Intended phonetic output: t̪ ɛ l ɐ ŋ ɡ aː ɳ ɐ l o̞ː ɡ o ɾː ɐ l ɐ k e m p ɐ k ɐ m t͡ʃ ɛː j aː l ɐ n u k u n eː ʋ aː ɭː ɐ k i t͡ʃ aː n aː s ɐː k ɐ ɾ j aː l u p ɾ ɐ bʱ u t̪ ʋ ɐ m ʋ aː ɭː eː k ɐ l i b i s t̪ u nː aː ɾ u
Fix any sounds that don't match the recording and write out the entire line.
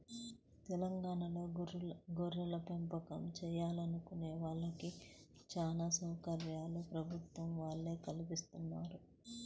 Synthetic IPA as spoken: t̪ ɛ l ɐ ŋ ɡ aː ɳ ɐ l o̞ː ɡ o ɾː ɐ l ɐ p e m p ɐ k ɐ m t͡ʃ ɛː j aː l ɐ n u k u n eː ʋ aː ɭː ɐ k i t͡ʃ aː n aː s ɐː k ɐ ɾ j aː l u p ɾ ɐ bʱ u t̪ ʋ ɐ m ʋ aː ɭː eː k ɐ l i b i s t̪ u nː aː ɾ u